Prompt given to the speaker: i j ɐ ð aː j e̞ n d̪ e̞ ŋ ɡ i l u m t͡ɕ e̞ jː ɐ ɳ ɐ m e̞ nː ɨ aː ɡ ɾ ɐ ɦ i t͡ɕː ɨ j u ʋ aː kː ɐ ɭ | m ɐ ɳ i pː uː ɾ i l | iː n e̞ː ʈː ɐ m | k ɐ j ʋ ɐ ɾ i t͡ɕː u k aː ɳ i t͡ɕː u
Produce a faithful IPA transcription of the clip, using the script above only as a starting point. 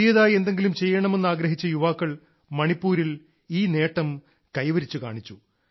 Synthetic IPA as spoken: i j ɐ ð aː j e̞ n d̪ e̞ ŋ ɡ i l u m t͡ɕ e̞ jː ɐ ɳ ɐ m e̞ nː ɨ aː ɡ ɾ ɐ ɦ i t͡ɕː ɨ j u ʋ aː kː ɐ ɭ | m ɐ ɳ i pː uː ɾ i l | iː n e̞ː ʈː ɐ m | k ɐ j ʋ ɐ ɾ i t͡ɕː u k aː ɳ i t͡ɕː u